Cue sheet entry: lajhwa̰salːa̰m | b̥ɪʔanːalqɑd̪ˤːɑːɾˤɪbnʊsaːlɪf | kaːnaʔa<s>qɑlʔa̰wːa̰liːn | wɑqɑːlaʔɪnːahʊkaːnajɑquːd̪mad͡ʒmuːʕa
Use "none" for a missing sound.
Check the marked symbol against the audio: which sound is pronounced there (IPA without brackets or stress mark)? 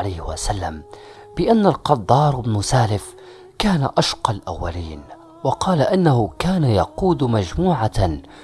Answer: ʃ